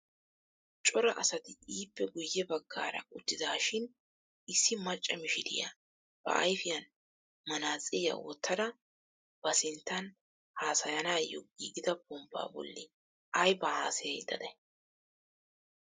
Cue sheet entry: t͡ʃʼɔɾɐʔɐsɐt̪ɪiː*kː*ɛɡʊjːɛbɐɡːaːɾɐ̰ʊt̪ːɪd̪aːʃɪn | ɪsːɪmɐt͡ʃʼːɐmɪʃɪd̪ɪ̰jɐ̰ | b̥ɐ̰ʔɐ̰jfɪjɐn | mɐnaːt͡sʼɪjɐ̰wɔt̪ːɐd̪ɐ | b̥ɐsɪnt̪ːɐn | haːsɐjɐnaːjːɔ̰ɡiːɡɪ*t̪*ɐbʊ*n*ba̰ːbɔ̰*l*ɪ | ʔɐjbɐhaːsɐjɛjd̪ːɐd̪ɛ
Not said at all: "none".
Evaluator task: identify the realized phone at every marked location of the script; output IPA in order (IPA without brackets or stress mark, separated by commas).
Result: pː, d̪, m, lː